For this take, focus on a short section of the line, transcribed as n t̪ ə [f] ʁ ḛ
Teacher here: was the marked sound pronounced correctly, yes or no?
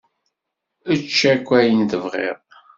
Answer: no